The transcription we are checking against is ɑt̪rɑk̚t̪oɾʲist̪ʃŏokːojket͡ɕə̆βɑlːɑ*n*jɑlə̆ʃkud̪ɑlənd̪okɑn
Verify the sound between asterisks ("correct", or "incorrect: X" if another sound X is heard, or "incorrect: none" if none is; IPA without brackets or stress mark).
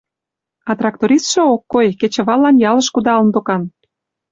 correct